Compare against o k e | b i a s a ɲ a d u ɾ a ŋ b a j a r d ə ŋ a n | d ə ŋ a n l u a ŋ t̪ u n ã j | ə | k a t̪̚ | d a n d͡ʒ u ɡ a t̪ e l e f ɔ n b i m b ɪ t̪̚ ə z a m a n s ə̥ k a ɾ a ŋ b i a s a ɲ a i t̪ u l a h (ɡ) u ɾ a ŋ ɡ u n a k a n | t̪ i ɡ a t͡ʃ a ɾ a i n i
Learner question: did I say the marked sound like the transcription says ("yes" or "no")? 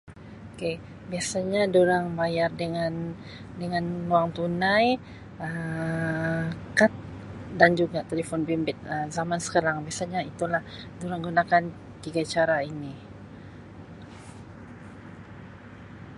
no